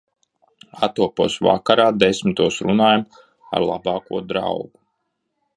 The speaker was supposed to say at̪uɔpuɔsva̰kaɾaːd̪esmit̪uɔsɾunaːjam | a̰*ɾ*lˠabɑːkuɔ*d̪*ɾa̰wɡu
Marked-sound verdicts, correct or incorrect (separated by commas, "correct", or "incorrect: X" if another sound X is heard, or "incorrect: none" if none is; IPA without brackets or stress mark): correct, correct